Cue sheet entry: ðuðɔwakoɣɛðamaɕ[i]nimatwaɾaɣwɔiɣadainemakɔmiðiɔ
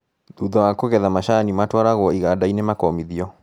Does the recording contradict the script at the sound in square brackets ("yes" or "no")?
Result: yes